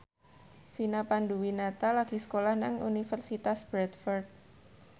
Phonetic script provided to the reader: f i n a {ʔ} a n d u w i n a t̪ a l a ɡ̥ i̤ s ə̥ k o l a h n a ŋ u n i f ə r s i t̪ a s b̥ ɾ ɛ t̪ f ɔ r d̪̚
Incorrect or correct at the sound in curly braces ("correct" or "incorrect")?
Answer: incorrect